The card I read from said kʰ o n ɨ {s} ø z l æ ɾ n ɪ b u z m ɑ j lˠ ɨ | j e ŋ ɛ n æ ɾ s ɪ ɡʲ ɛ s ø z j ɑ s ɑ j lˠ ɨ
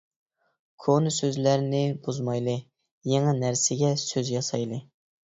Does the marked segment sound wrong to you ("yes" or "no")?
no